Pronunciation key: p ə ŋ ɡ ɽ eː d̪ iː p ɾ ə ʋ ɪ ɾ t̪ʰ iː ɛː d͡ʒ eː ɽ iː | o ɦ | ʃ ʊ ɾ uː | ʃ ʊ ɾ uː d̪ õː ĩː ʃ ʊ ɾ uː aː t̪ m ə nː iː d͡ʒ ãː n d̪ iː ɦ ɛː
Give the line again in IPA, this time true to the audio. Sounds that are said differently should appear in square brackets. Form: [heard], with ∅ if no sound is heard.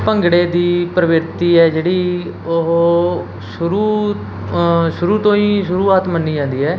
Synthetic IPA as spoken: p ə ŋ ɡ ɽ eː d̪ iː p ɾ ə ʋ ɪ ɾ [t̪] iː ɛː d͡ʒ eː ɽ iː | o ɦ | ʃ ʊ ɾ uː | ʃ ʊ ɾ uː [t̪] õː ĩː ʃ ʊ ɾ uː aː t̪ m ə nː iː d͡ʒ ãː n d̪ iː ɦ ɛː